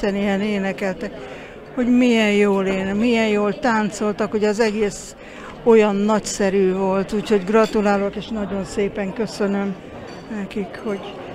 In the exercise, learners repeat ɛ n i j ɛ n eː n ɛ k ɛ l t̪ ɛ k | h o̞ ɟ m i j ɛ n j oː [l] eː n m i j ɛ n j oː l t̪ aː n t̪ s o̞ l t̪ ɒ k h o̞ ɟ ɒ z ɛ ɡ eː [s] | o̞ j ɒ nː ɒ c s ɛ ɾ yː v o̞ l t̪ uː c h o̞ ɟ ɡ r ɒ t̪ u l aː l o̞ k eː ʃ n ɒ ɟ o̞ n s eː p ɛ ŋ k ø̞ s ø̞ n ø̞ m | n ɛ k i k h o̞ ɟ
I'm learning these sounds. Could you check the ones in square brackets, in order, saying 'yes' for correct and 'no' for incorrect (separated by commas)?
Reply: yes, yes